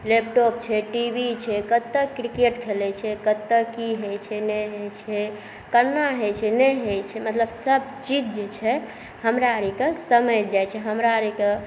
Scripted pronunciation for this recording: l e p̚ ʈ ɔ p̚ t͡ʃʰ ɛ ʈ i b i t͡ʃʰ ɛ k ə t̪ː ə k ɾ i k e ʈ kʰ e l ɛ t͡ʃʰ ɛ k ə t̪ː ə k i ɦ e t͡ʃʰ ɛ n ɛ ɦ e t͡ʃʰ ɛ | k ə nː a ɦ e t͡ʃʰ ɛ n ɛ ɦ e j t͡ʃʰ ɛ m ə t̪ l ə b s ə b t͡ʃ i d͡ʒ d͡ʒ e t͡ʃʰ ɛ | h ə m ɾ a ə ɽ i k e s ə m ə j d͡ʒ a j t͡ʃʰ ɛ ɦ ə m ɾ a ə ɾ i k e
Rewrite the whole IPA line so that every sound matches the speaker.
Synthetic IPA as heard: l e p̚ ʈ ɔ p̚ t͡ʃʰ ɛ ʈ i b i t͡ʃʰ ɛ k ə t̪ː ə k ɾ i k e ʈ kʰ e l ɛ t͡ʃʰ ɛ k ə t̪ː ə k i ɦ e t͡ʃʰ ɛ n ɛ ɦ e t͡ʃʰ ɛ | k ə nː a ɦ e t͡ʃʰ ɛ n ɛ ɦ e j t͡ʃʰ ɛ m ə t̪ l ə b s ə b t͡ʃ i d͡ʒ d͡ʒ e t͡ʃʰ ɛ | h ə m ɾ a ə ɾ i k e s ə m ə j d͡ʒ a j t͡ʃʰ ɛ ɦ ə m ɾ a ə ɾ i k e